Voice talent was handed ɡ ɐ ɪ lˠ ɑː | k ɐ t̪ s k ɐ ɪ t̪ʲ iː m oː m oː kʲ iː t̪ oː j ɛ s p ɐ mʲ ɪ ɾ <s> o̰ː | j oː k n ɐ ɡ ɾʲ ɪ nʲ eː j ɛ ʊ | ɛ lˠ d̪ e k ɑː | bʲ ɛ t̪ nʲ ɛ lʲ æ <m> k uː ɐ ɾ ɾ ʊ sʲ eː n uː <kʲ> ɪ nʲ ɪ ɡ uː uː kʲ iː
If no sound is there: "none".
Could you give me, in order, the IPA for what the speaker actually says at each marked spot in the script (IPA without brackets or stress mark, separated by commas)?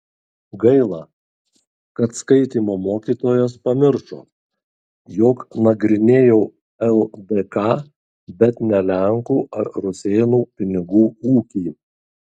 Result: ʃ, ŋ, pʲ